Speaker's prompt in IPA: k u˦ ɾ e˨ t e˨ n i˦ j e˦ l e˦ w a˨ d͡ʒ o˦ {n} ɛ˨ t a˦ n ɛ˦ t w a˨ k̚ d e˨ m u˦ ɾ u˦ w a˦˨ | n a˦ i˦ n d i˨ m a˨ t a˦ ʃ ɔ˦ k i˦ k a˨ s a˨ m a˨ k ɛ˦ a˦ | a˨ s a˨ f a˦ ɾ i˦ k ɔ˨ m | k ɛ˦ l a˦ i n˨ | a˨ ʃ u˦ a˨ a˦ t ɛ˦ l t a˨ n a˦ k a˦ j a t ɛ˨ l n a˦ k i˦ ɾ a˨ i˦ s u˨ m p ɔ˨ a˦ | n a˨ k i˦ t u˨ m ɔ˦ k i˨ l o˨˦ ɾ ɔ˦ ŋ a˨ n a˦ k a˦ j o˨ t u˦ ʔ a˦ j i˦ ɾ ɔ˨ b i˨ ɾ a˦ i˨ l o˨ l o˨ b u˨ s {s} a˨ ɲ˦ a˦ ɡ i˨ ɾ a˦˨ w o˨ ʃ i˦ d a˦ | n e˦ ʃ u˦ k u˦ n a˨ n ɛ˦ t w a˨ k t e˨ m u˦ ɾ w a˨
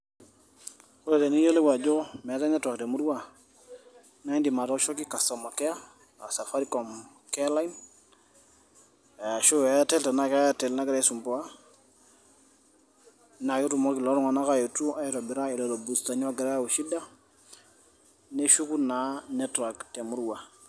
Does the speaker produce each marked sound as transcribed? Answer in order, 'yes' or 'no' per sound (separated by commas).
no, no